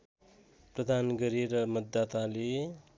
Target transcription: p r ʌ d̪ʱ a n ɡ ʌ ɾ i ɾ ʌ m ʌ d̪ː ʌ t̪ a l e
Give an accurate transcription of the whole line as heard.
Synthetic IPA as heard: p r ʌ d̪ʱ a n ɡ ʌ ɾ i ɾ ʌ m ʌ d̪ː a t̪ a l e